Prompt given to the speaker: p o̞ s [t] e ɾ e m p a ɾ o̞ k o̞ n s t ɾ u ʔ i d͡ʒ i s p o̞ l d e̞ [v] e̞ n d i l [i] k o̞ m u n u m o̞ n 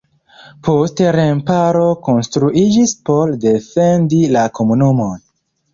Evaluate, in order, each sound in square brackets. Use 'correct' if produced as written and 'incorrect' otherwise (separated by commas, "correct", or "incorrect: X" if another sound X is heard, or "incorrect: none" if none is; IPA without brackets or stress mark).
correct, incorrect: f, incorrect: a